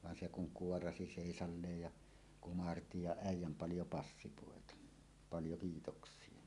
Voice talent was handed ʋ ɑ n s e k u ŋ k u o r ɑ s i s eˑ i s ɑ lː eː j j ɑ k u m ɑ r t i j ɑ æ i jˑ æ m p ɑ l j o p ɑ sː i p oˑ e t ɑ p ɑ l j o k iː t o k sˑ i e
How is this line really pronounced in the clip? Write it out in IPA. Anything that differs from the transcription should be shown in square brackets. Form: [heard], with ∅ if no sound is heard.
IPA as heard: ʋ ɑ n s e k u ŋ k u o r ɑ s i s eˑ i s ɑ lː eː j j ɑ k u m ɑ r t i j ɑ æ i jˑ æ m p ɑ l j o p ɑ sː i p oˑ e t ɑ p ɑ l j o k iː t o k sˑ i e